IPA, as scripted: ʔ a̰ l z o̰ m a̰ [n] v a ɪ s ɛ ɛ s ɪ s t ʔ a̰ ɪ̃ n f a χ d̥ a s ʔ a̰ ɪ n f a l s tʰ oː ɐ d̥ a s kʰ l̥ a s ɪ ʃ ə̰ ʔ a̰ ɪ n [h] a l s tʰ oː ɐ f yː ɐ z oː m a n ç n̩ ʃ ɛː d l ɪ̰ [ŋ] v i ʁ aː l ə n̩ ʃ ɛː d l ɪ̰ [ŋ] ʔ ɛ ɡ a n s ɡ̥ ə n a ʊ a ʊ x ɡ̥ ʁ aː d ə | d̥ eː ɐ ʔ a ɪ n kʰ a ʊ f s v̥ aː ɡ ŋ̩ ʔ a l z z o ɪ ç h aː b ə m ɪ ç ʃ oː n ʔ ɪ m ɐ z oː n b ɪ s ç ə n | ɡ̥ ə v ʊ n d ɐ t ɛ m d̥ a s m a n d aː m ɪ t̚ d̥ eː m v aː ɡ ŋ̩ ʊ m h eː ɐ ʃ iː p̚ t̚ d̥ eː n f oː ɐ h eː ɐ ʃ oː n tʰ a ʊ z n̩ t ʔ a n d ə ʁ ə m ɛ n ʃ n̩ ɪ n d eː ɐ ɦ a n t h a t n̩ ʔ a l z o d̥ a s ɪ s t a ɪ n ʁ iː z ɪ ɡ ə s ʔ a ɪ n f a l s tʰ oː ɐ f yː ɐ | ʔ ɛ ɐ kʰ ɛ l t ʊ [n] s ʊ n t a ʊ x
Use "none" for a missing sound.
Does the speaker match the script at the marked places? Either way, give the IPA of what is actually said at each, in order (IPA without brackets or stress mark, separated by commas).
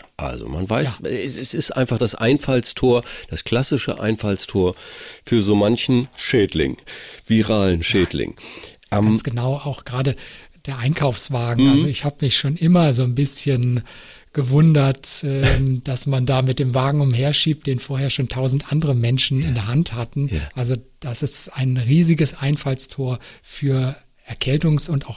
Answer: n, f, ŋ, ŋ, ŋ